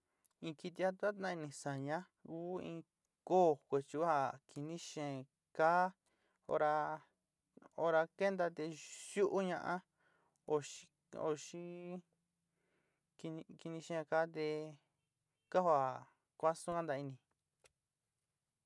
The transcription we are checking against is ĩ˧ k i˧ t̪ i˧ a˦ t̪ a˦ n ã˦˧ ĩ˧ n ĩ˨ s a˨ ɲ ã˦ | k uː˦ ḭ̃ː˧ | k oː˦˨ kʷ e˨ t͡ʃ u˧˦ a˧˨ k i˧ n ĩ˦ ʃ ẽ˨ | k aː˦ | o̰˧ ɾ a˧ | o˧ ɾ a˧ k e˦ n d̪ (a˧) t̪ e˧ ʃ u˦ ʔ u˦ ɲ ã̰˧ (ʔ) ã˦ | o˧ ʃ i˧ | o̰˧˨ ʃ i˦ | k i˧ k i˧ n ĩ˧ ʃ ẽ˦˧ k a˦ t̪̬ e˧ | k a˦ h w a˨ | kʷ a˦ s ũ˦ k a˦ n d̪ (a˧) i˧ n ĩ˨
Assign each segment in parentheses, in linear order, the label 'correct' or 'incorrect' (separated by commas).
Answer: correct, correct, correct